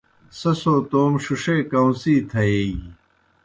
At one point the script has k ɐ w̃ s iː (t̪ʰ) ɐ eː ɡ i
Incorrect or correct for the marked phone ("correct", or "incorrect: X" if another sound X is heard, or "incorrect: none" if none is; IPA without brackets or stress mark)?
correct